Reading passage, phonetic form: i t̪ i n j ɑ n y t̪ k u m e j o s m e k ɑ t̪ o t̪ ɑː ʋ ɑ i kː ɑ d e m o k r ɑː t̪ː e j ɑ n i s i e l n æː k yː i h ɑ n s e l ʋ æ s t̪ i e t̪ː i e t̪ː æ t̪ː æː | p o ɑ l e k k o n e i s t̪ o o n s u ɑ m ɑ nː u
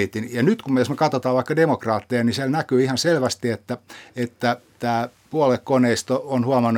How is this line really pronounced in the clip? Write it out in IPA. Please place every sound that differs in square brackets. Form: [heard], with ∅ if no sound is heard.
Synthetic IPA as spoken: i t̪ i n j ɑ n y t̪ k u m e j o s m e k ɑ t̪ o t̪ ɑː ʋ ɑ i kː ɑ d e m o k r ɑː t̪ː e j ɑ n i s i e l n [æ] k yː i h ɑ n s e l ʋ æ s t̪ i e t̪ː [æ] e t̪ː æ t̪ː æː | p [u] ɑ l e k k o n e i s t̪ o o n [h] u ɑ m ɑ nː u